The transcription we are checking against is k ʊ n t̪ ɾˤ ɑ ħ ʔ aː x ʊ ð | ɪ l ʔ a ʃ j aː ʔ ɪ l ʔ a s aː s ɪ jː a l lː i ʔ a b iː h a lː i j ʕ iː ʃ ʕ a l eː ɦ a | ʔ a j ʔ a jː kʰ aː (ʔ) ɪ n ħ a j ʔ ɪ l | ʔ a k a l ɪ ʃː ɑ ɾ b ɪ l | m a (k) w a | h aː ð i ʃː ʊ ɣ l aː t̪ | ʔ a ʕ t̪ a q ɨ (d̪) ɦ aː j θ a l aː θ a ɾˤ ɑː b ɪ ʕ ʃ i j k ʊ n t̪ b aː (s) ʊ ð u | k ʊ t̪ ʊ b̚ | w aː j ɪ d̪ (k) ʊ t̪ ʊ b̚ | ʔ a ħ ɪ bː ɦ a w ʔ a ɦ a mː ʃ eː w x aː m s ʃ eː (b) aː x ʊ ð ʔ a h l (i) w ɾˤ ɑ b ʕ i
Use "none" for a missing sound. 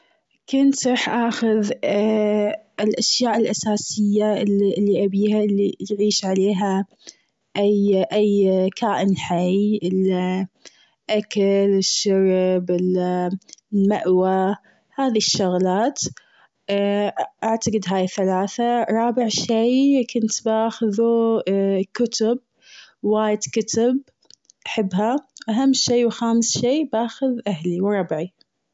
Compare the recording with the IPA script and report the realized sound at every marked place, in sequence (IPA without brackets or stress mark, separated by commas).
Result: ʔ, ʔ, d̪, x, k, b, i